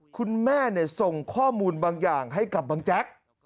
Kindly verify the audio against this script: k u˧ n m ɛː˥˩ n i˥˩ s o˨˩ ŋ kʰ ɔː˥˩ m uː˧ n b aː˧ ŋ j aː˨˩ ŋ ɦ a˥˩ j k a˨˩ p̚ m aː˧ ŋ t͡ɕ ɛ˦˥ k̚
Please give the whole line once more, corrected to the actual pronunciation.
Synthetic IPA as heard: kʰ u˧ n m ɛː˥˩ n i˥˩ s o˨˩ ŋ kʰ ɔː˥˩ m uː˧ n b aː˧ ŋ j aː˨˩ ŋ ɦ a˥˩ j k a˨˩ p̚ b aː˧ ŋ t͡ɕ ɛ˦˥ k̚